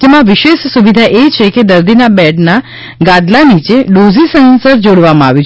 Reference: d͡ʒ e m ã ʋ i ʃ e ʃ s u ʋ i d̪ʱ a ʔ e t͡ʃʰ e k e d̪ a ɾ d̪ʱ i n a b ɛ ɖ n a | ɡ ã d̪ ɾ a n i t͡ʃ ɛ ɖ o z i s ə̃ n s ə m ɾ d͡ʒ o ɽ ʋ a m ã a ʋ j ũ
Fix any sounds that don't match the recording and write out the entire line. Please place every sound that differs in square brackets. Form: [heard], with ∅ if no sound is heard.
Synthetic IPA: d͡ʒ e m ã ʋ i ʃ e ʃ s u ʋ i d̪ʱ a ʔ e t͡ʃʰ e k e d̪ [ə] ɾ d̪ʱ i n a b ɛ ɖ n a | ɡ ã d̪ [l] a n i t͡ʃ [e] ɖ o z i s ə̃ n s ə [∅] ɾ d͡ʒ o ɽ ʋ a m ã a ʋ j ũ